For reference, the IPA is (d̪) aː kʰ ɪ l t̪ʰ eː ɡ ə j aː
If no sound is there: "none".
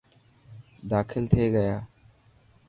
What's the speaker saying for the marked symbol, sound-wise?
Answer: d̪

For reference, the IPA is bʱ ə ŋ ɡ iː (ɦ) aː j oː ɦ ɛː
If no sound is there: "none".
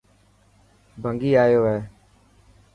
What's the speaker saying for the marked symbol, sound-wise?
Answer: none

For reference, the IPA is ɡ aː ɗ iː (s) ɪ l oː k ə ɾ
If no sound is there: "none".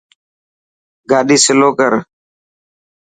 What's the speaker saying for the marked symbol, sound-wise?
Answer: s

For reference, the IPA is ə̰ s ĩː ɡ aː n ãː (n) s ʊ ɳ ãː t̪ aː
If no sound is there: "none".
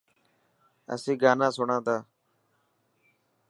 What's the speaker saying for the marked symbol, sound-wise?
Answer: none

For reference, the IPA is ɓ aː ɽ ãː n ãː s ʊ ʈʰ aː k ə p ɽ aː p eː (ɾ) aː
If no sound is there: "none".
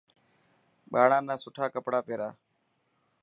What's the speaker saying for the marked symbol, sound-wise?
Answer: ɾ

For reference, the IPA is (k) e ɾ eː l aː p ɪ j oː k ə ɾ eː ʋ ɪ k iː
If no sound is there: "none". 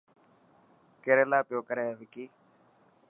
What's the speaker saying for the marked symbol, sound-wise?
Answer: k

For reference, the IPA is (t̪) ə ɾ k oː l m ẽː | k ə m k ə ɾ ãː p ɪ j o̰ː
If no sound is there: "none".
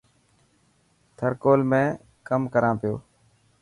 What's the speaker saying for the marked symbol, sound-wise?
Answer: t̪ʰ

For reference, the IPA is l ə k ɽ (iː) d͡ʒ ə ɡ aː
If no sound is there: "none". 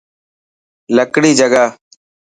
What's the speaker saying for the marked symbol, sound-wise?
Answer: iː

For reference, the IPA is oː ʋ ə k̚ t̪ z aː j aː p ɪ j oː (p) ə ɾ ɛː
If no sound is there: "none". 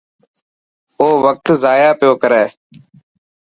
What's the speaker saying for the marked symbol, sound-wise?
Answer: k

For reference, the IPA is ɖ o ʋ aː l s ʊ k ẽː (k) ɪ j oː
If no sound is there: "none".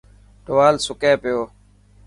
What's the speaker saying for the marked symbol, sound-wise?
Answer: p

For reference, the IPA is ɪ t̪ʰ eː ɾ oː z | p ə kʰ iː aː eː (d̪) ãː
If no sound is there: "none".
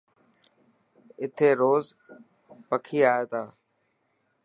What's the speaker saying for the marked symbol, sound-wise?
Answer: t̪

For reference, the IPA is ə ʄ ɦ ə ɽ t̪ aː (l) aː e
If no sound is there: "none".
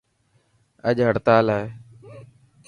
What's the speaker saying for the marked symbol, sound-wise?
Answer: l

